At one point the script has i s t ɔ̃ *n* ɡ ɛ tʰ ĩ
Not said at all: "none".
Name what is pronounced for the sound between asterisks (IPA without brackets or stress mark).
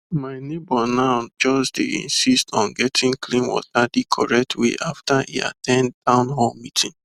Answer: n